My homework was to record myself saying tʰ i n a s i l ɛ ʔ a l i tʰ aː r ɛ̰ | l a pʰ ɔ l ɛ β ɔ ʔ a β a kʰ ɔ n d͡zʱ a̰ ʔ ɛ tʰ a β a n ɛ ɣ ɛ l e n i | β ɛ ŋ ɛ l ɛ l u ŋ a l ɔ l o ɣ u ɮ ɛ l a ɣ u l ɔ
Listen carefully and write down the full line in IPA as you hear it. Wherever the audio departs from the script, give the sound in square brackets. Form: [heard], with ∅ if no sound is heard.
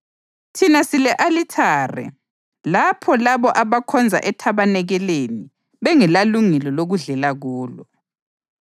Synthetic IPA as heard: tʰ i n a s i l ɛ ʔ a l i tʰ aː r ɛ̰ | l a pʰ ɔ l [a] β ɔ ʔ a β a kʰ ɔ n d͡zʱ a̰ ʔ ɛ tʰ a β a n ɛ ɣ ɛ l e n i | β ɛ ŋ ɛ l [a] l u ŋ [ɛ] l ɔ l o ɣ u ɮ ɛ l a ɣ [uː] l ɔ